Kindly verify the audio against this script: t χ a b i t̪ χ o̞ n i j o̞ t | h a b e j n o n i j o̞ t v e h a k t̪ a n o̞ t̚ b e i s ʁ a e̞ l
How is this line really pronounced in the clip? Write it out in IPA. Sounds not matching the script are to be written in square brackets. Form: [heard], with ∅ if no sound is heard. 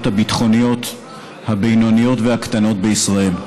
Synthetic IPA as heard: t [h] a b i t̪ χ o̞ n i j o̞ t | h a b e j n o n i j o̞ t v e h a k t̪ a n o̞ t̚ b e i s ʁ a e̞ l

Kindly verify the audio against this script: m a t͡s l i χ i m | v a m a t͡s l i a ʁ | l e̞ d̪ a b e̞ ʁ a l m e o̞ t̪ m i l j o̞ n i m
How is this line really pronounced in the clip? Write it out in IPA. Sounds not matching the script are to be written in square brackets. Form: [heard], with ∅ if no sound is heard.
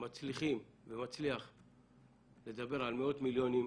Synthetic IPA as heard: m a t͡s l i χ i m | v [e] m a t͡s l i a [χ] | l e̞ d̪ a b e̞ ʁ a l m e o̞ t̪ m i l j o̞ n i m

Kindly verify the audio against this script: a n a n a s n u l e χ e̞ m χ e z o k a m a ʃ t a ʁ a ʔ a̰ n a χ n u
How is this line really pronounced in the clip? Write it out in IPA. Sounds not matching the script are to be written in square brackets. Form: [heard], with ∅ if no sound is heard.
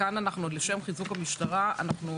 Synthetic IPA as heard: a n a n a [χ] n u l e [ʃ] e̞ m χ [i] z [u] k a m [i] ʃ t a ʁ a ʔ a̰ n a χ n u

